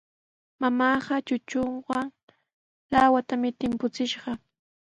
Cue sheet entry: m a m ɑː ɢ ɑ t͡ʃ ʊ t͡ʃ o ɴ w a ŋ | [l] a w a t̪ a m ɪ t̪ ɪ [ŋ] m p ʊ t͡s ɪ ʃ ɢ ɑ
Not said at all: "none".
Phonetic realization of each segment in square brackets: l, none

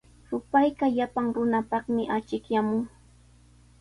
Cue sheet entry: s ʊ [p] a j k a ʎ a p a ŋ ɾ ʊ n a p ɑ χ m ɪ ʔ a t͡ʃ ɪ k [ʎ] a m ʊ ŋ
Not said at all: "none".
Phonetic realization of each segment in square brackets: p, j

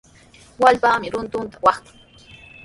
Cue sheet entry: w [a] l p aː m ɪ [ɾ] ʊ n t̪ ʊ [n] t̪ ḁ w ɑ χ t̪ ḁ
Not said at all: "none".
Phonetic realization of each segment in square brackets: a, ɾ, n

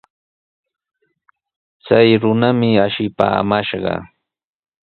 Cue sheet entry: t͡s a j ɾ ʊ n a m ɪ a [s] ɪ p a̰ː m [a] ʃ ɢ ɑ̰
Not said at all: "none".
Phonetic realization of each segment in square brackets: ʃ, a

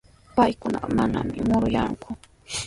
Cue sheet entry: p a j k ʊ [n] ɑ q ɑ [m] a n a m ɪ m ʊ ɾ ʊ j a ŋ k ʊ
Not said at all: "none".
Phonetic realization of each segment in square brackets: n, m

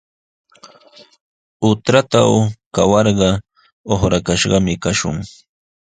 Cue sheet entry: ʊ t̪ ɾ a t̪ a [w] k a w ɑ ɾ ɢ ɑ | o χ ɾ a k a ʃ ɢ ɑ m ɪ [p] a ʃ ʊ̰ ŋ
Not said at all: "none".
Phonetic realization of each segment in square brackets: w, k

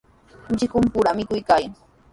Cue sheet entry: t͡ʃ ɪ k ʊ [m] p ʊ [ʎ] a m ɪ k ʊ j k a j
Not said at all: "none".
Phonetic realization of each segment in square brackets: m, ɾ

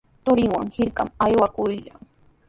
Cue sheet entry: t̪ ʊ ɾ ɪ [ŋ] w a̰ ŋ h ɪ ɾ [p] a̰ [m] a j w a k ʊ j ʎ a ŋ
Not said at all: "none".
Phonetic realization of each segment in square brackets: ŋ, k, m

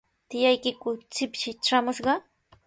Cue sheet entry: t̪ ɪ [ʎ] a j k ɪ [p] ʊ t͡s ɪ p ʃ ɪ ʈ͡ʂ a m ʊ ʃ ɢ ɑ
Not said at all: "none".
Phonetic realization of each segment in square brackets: j, k

